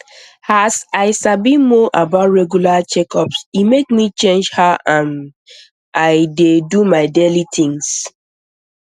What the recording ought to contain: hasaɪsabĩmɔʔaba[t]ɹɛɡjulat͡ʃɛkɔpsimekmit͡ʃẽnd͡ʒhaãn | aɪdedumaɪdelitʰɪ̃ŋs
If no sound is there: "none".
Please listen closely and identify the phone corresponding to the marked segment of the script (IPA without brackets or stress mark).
t